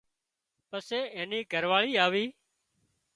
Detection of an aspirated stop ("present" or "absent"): absent